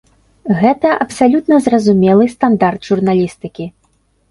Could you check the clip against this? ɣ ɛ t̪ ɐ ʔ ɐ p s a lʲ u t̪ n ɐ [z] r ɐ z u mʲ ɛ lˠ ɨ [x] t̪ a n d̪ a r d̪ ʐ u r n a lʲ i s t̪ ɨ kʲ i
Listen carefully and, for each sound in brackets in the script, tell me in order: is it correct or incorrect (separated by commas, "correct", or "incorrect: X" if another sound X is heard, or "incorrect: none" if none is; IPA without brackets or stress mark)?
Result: correct, incorrect: s